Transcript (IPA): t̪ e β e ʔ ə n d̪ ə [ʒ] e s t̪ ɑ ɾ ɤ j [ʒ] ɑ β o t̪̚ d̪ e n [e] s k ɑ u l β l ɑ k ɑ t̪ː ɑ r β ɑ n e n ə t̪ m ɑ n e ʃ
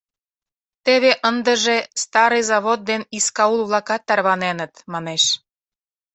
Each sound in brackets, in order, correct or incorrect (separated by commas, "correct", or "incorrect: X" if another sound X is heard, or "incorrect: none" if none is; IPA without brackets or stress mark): correct, incorrect: z, incorrect: i